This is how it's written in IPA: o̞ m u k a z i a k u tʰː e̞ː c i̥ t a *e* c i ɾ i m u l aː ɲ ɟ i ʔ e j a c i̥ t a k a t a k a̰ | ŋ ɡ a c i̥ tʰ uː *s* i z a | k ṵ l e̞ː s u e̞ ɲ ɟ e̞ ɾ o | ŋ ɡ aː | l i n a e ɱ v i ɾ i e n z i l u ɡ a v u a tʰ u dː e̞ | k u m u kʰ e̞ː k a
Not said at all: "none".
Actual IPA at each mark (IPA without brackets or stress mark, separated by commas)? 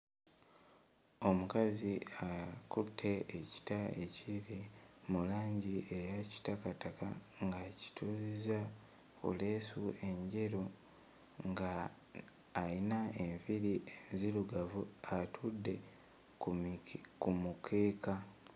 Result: e, z